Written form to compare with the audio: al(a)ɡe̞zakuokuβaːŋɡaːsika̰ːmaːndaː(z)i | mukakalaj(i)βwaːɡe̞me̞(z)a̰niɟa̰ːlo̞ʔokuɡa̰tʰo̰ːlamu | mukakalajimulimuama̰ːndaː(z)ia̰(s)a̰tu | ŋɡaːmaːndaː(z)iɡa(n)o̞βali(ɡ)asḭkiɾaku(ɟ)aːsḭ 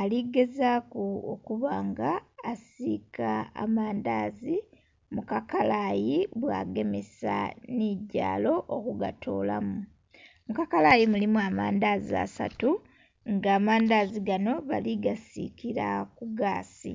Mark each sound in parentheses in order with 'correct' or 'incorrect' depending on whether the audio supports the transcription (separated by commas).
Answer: incorrect, correct, correct, incorrect, correct, correct, correct, correct, correct, incorrect